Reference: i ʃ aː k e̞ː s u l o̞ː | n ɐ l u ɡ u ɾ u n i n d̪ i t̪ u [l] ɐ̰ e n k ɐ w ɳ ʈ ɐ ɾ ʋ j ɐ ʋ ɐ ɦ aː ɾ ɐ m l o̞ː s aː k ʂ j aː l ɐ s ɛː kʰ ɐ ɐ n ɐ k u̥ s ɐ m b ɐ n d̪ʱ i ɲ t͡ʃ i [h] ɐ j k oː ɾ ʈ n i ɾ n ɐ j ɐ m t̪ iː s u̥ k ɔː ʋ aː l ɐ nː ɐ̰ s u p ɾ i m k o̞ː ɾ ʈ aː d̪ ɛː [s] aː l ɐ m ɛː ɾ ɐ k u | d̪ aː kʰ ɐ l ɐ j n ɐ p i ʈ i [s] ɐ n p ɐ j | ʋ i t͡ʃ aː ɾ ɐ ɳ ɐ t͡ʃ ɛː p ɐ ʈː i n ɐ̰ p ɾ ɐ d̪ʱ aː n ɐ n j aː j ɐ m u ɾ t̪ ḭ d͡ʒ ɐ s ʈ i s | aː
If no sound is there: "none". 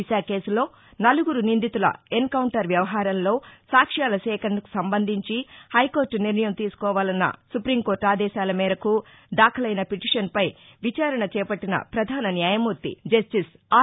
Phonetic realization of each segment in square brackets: l, h, ʃ, ʂ

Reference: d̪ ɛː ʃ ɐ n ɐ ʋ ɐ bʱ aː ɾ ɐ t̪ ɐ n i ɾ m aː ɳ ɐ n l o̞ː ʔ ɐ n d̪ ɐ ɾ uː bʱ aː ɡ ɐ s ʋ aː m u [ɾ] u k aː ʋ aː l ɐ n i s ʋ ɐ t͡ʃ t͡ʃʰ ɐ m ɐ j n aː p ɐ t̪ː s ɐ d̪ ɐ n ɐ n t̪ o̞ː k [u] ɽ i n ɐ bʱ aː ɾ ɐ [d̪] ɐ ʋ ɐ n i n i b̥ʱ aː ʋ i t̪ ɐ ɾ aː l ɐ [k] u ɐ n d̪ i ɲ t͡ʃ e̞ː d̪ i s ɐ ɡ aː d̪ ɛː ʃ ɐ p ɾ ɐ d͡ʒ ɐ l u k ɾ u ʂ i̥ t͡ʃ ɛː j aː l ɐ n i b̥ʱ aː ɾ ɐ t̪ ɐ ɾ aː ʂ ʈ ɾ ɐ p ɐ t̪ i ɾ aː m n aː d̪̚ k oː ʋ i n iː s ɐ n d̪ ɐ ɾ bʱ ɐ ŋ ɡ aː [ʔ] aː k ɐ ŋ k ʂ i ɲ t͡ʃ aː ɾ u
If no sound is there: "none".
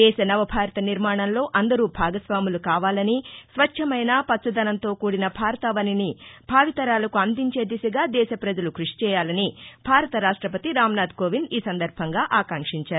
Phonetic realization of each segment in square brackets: l, uː, t̪, k, ʔ

